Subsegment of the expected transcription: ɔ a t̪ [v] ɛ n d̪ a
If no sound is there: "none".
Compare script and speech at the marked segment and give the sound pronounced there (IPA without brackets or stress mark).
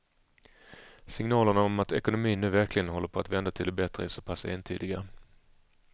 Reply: v